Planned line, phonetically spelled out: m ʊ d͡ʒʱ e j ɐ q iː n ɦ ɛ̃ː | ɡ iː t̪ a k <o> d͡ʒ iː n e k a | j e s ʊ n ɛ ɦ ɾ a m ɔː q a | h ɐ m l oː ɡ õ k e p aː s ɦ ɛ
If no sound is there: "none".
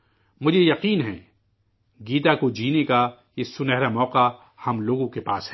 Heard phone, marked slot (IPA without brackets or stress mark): o